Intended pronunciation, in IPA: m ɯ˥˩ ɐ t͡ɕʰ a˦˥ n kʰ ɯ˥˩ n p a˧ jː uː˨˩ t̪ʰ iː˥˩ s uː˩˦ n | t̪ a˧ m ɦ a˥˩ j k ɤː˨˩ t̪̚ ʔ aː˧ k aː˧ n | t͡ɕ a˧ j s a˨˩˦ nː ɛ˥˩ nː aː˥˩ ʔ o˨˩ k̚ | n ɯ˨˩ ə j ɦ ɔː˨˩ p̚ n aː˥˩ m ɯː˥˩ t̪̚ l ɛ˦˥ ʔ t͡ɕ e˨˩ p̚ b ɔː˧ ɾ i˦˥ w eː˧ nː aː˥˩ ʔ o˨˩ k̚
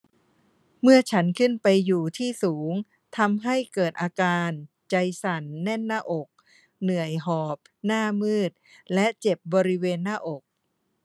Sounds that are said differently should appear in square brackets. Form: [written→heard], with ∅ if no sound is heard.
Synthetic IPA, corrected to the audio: m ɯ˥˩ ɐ t͡ɕʰ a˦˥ n kʰ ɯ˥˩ n p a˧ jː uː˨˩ t̪ʰ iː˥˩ s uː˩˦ [n→ŋ] | [t̪→t̪ʰ] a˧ m ɦ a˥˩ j k ɤː˨˩ t̪̚ ʔ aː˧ k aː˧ n | t͡ɕ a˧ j s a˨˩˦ nː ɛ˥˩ nː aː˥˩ ʔ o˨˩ k̚ | n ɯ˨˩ ə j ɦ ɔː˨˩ p̚ n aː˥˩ m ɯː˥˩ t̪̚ l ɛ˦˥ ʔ t͡ɕ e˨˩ p̚ b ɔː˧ ɾ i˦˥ w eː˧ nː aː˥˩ ʔ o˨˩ k̚